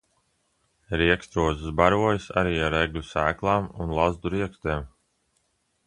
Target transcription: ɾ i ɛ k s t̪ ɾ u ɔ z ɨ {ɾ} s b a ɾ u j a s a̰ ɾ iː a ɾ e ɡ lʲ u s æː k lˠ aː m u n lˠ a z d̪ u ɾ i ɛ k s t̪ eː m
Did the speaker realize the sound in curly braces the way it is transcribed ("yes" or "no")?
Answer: no